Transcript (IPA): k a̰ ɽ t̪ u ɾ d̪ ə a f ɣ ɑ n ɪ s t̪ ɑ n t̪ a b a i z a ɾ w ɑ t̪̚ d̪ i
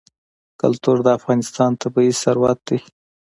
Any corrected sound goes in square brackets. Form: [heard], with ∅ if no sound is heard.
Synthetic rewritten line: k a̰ [l] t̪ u ɾ d̪ ə a f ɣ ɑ n ɪ s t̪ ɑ n t̪ a b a i [s] a ɾ w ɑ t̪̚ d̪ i